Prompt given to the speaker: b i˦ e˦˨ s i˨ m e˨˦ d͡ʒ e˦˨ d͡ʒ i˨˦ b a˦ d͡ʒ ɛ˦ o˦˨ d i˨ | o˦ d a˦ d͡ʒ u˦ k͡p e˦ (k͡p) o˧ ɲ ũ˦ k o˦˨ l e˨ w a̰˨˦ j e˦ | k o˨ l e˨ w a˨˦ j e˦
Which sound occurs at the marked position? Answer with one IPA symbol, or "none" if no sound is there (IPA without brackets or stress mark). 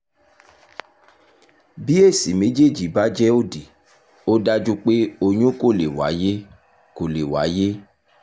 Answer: none